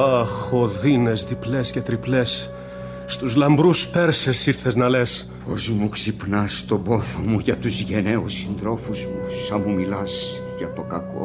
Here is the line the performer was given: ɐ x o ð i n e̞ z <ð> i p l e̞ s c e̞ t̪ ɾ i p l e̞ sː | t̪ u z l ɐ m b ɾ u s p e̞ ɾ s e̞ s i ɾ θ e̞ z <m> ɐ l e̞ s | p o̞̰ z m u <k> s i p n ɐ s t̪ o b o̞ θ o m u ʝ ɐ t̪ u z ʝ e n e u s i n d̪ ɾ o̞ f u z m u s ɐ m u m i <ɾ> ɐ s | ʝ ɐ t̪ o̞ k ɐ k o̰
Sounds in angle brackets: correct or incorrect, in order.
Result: correct, incorrect: n, correct, incorrect: l

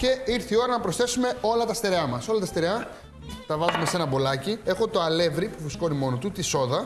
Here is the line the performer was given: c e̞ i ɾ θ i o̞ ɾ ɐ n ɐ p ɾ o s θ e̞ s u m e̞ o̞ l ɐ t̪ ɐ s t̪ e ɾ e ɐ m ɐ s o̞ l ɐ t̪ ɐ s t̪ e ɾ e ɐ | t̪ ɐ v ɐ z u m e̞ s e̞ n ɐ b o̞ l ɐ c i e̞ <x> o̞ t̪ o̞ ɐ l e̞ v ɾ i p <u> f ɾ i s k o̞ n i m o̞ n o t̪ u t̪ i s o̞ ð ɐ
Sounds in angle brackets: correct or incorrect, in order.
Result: correct, correct

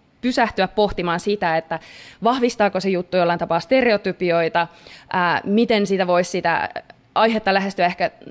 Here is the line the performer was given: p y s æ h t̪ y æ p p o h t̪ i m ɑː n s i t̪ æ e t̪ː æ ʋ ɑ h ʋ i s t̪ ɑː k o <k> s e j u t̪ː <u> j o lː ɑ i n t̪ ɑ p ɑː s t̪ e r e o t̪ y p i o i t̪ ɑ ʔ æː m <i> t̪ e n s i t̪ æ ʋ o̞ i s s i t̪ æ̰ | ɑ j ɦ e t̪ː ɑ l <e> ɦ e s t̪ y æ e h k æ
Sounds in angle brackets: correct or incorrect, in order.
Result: incorrect: none, correct, correct, incorrect: æ

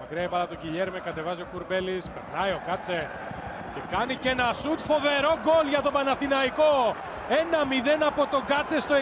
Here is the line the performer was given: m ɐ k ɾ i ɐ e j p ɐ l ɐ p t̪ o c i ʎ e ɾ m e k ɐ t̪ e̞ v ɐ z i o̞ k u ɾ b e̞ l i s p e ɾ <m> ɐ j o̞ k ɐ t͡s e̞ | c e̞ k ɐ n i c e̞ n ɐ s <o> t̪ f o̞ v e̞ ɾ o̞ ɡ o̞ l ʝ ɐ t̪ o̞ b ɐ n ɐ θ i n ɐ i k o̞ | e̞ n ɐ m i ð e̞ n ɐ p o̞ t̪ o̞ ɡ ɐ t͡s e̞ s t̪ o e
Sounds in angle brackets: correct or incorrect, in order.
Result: incorrect: n, incorrect: u

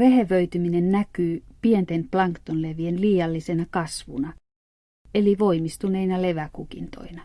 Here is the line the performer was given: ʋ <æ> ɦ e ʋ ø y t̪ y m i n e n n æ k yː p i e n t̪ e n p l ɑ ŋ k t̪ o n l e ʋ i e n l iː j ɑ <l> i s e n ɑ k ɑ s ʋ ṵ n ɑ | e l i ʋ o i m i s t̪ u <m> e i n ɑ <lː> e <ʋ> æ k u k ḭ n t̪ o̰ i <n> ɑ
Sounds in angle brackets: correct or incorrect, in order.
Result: incorrect: e, incorrect: lː, incorrect: n, incorrect: l, correct, correct

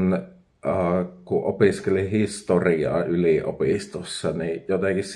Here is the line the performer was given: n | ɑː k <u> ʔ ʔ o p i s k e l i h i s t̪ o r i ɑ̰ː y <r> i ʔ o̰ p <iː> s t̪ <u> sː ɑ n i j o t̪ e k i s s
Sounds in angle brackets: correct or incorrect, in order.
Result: correct, incorrect: l, incorrect: i, incorrect: o

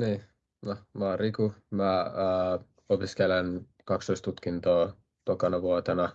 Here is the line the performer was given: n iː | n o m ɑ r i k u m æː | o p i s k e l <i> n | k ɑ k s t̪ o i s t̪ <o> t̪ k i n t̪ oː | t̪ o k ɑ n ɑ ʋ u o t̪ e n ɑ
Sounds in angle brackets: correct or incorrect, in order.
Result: incorrect: e, incorrect: u

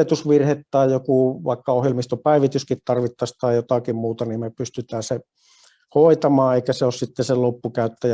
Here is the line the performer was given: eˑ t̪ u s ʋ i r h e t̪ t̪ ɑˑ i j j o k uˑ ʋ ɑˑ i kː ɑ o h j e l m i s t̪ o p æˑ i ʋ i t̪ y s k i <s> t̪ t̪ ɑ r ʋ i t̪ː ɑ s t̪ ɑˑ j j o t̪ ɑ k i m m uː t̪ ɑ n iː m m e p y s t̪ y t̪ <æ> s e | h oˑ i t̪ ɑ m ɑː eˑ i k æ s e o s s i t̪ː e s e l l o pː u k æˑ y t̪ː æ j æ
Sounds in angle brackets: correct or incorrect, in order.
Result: incorrect: none, incorrect: æː

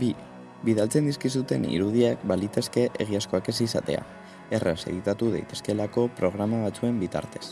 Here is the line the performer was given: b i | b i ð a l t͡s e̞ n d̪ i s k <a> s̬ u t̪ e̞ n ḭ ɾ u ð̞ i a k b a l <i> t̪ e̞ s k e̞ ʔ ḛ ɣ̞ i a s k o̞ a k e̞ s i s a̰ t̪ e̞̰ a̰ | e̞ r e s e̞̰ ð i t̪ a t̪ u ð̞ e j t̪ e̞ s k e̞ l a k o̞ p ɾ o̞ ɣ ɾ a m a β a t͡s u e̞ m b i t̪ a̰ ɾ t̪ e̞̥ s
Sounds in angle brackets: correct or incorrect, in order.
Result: incorrect: i, correct

